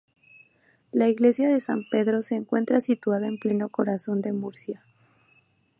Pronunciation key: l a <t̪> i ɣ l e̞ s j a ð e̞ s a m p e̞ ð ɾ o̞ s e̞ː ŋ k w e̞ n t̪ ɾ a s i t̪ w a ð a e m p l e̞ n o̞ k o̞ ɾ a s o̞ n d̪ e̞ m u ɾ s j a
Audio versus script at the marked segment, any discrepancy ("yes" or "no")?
yes